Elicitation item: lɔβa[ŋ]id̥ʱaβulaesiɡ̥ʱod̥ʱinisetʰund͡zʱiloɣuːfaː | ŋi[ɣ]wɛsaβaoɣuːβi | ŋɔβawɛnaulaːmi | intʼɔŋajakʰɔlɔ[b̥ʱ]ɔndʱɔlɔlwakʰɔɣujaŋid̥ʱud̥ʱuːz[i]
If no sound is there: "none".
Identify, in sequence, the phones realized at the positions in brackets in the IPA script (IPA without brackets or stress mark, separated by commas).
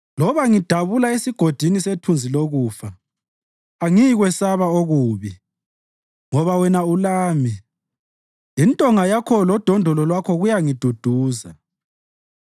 ŋ, ɣ, d̥ʱ, a